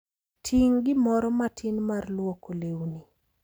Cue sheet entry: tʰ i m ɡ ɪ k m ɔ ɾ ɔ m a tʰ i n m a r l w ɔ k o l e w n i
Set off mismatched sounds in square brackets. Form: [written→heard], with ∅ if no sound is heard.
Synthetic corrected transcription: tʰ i [m→ŋ] ɡ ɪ [k→∅] m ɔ ɾ ɔ m a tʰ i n m a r l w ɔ k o l e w n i